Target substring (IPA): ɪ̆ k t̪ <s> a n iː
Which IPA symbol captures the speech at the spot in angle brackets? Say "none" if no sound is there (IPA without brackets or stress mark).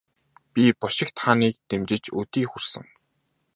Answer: χ